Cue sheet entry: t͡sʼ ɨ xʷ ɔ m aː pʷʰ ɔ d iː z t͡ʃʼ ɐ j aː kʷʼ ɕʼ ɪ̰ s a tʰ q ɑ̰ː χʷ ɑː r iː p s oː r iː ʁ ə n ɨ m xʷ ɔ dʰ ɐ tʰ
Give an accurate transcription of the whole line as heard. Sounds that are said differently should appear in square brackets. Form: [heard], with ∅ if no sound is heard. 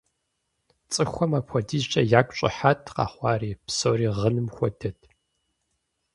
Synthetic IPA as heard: t͡sʼ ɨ xʷ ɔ m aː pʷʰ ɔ d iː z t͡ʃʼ ɐ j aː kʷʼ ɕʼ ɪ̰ [ħ] a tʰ q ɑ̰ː χʷ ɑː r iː p s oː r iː ʁ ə n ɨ m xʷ ɔ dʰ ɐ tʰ